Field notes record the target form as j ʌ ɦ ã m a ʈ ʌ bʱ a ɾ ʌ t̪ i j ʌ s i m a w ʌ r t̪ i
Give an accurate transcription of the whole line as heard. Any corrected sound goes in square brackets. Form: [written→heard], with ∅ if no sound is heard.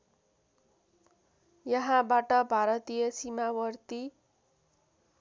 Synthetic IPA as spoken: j ʌ ɦ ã [m→b] a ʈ ʌ bʱ a ɾ ʌ t̪ i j ʌ s i m a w ʌ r t̪ i